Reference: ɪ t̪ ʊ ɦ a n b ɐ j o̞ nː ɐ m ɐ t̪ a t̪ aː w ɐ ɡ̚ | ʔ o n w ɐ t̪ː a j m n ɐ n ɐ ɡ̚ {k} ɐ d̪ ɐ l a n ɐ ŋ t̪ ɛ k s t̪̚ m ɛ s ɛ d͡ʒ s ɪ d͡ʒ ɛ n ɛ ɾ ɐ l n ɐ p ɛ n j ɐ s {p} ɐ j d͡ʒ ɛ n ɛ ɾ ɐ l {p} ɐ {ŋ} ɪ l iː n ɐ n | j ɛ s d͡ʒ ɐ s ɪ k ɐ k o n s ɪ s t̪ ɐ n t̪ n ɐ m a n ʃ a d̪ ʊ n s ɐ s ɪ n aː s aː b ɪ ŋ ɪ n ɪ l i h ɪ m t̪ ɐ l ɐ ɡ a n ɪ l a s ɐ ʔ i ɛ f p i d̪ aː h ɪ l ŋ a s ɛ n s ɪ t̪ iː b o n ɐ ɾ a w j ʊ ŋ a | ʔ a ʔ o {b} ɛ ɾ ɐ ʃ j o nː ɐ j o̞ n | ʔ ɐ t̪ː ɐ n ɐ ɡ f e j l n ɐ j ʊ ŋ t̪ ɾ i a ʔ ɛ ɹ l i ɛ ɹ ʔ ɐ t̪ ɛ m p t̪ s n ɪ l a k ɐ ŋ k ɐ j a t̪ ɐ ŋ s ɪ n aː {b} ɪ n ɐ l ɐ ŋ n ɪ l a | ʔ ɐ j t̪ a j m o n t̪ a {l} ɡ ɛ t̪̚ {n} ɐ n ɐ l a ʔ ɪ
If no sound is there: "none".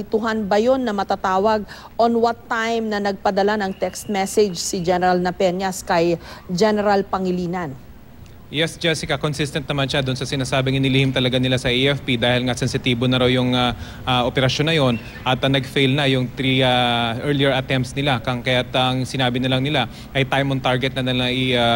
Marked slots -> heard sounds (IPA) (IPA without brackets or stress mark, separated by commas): p, k, p, ŋ, p, b, ɹ, n